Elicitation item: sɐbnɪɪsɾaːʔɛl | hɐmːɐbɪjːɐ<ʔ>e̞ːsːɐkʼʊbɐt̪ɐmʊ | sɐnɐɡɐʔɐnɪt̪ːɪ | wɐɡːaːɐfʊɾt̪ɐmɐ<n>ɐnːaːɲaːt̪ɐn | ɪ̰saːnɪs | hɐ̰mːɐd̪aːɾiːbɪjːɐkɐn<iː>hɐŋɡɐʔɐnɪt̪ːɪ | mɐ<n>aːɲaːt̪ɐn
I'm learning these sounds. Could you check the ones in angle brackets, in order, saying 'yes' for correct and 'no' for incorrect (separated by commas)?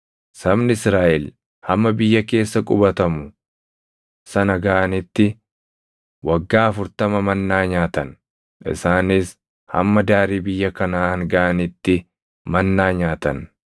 no, no, no, no